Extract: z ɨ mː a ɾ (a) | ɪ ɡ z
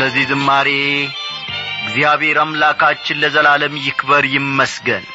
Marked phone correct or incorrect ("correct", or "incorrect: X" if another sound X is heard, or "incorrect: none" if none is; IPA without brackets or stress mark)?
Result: incorrect: e